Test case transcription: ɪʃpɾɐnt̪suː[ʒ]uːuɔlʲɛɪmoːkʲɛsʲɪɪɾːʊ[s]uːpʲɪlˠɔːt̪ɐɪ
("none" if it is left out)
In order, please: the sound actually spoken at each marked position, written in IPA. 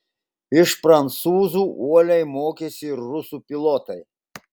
z, s

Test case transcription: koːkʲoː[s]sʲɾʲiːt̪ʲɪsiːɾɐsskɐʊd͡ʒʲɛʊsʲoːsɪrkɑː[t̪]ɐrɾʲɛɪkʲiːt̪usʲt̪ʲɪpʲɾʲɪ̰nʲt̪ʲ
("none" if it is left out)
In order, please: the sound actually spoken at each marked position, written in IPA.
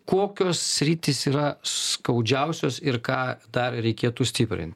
s, d̪

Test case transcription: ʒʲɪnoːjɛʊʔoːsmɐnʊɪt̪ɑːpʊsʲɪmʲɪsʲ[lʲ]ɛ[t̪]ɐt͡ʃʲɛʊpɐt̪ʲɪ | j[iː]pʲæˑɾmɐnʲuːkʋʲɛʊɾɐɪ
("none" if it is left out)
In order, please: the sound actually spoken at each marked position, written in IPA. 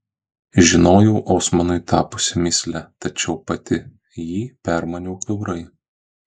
lʲ, t̪, iː

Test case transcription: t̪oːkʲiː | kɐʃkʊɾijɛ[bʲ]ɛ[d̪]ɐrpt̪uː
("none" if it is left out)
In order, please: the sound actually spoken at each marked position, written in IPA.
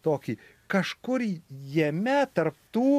mʲ, t̪

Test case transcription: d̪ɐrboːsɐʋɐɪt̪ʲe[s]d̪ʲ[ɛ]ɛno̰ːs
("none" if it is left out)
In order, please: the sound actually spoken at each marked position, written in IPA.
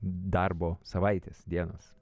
s, i

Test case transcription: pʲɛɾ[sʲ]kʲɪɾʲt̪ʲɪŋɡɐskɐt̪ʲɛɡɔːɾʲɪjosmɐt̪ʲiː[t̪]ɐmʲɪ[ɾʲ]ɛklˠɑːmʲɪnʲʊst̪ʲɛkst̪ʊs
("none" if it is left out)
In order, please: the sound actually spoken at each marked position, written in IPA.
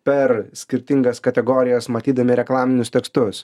sʲ, d̪, ɾʲ

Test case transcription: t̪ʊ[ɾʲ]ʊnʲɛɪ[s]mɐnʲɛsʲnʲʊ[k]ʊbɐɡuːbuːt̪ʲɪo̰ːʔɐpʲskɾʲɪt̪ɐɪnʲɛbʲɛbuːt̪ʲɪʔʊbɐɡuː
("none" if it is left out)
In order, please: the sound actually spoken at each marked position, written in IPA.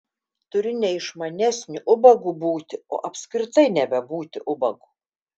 ɾʲ, ʃ, ʔ

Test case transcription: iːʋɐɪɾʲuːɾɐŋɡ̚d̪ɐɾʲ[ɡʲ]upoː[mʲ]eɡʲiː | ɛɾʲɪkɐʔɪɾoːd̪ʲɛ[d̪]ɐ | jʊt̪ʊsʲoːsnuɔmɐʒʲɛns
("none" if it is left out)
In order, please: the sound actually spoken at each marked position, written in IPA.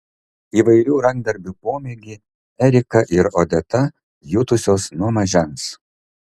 bʲ, mʲ, t̪

